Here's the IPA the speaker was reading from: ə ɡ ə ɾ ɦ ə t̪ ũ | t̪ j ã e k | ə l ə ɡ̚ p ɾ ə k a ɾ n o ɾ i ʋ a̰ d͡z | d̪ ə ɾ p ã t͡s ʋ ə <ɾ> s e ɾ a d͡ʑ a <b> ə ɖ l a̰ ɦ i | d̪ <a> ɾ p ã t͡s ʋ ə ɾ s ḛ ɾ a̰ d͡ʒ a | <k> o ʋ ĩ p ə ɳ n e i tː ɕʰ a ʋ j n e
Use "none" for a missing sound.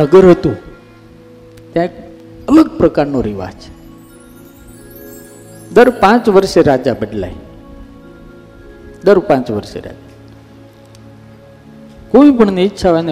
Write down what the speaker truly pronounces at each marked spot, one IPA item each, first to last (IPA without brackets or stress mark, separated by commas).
ɾ, b, ə, k